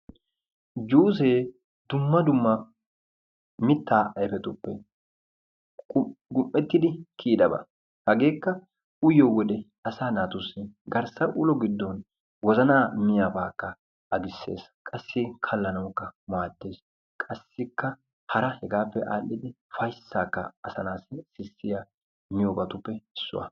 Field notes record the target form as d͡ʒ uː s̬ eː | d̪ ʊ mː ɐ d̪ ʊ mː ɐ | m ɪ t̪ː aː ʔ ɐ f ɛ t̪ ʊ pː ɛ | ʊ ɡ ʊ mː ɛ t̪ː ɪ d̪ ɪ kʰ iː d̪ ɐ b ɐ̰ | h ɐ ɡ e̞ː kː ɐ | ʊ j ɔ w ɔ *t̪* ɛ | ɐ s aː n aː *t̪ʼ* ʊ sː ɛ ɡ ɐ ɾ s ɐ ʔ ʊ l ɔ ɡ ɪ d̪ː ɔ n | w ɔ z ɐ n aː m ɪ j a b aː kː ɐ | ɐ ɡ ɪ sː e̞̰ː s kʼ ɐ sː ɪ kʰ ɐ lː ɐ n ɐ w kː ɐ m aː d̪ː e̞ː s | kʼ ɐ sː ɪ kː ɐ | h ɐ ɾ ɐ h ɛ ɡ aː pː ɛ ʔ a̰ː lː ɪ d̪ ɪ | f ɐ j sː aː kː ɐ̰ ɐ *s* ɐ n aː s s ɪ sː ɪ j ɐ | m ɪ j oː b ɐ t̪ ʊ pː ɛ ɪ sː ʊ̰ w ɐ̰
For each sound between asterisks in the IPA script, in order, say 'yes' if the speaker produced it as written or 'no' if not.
no, no, yes

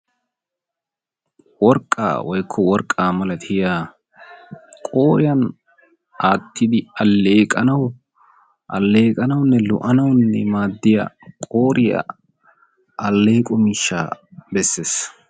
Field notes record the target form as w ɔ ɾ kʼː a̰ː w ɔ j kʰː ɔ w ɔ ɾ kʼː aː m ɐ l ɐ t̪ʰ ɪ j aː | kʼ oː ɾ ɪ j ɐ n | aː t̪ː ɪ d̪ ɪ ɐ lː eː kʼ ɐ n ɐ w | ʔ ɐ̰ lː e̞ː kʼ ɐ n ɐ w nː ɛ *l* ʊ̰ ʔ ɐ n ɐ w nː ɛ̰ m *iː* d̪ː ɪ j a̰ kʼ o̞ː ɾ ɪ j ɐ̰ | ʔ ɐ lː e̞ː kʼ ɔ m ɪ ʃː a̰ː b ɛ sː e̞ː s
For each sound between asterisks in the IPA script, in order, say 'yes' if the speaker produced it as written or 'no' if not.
yes, no

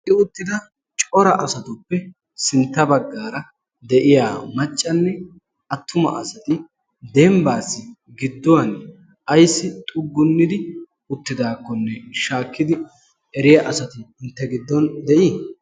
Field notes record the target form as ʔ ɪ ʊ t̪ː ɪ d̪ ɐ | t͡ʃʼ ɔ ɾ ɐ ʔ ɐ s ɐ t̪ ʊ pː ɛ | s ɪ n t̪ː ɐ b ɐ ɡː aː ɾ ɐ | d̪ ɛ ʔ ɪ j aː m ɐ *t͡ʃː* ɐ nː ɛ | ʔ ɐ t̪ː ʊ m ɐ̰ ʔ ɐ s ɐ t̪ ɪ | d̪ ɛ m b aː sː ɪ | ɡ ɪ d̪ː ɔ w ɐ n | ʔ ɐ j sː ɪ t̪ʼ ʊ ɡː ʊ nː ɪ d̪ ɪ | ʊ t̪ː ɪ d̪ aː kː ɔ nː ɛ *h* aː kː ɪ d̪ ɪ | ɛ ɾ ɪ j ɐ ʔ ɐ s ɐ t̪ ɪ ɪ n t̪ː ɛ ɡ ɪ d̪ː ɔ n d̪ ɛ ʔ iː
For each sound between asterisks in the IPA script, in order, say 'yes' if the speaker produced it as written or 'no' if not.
no, no

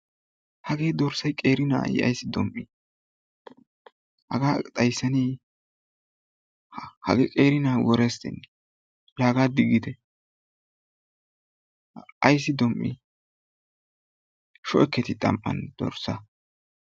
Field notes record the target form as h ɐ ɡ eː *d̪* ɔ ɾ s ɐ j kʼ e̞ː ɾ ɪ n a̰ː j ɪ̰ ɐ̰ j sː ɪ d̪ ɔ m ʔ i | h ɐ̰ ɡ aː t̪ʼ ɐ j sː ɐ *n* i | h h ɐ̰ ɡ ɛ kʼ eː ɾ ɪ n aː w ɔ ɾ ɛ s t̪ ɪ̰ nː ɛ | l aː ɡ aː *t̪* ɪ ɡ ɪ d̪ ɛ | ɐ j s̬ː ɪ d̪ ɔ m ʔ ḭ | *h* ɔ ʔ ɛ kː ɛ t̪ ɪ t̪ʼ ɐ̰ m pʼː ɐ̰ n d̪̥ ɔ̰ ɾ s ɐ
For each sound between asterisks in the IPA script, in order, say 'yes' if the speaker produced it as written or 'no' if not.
yes, yes, no, no

